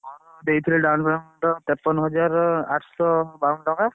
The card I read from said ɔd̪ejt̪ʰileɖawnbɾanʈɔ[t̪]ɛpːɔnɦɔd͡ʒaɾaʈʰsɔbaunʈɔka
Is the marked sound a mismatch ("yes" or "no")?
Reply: no